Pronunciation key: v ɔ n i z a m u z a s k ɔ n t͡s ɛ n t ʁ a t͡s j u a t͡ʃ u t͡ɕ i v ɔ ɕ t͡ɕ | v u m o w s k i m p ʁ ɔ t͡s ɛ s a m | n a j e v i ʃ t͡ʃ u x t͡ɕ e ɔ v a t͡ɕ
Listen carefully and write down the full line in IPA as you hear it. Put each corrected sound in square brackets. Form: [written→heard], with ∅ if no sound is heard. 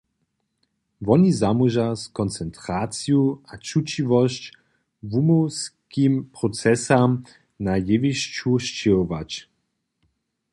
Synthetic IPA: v ɔ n i z a m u [z→ʒ] a s k ɔ n t͡s ɛ n t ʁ a t͡s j u a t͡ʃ u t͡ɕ i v ɔ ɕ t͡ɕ | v u m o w s k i m p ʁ ɔ t͡s ɛ s a m | n a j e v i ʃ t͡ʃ u [x→ʃ] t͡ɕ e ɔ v a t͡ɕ